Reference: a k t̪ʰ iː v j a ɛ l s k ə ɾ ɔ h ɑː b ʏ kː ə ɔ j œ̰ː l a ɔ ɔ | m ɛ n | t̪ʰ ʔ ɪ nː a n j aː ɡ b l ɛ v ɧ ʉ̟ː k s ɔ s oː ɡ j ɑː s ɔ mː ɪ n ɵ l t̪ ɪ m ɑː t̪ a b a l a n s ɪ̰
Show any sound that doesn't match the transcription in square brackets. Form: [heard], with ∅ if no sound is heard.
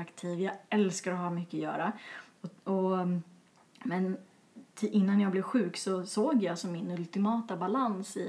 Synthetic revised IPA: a k t̪ʰ iː v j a ɛ l s k [a] ɾ ɔ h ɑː [m] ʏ kː ə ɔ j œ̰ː [ɾ] a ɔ ɔ | m ɛ n | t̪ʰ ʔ ɪ nː a n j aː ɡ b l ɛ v ɧ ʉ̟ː k s ɔ s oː ɡ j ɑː s ɔ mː ɪ n ɵ l t̪ ɪ m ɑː t̪ a b a l a n s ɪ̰